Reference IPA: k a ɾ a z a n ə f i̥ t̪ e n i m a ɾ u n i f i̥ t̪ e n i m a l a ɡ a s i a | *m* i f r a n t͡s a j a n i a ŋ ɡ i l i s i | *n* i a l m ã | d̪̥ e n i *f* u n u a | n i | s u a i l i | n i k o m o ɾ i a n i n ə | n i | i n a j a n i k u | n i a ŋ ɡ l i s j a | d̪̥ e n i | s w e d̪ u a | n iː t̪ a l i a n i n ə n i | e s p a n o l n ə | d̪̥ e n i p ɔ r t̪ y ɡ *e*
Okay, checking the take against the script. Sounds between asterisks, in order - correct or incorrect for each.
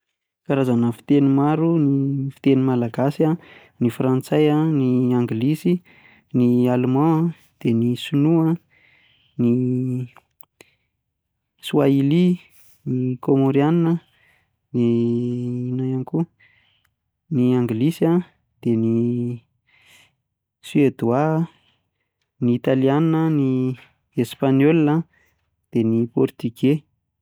incorrect: n, correct, incorrect: s, correct

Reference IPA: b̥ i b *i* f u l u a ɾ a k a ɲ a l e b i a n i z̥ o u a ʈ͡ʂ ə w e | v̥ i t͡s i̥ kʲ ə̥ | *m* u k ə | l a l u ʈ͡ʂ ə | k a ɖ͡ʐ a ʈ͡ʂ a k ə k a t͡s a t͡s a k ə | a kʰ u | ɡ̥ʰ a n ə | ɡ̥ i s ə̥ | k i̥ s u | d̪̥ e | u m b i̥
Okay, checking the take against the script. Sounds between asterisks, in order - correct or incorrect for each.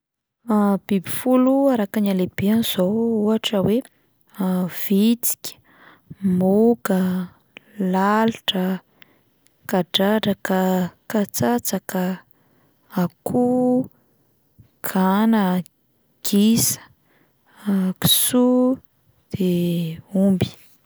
correct, correct

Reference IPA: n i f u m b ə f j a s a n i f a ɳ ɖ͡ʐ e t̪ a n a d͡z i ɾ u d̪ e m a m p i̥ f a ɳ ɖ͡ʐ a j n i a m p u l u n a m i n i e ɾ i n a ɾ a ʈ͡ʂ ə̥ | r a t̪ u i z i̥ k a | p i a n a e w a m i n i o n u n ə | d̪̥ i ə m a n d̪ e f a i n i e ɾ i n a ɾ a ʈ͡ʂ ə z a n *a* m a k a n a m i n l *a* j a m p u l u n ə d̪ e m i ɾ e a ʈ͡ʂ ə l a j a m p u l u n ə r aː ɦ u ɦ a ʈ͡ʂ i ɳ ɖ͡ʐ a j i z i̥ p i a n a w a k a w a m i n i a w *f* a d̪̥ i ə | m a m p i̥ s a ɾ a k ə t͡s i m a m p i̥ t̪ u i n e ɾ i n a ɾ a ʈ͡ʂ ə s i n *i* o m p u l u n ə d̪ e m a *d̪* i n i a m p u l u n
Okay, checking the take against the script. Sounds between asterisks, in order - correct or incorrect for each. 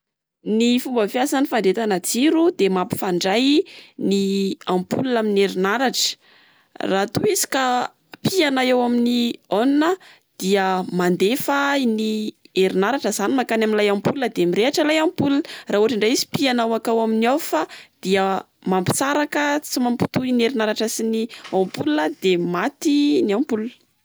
incorrect: i, correct, correct, correct, incorrect: t̪

